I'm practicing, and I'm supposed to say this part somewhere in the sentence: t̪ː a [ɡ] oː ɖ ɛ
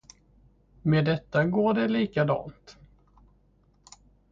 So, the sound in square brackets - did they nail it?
yes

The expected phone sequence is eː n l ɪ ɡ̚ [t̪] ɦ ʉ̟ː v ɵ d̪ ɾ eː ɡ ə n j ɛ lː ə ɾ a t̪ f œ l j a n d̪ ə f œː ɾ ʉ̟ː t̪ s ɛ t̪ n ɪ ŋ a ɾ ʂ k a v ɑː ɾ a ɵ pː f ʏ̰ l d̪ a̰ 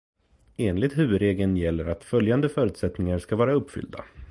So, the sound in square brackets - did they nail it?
yes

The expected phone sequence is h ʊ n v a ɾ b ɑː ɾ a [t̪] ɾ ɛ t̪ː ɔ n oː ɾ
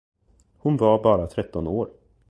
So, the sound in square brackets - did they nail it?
no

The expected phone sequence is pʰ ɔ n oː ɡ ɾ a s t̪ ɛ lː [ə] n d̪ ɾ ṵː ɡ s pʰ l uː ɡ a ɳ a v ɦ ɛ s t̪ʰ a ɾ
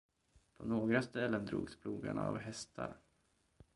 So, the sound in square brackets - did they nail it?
yes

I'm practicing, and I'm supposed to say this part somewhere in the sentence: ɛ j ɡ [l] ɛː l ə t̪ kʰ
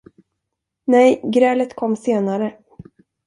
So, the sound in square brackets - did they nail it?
no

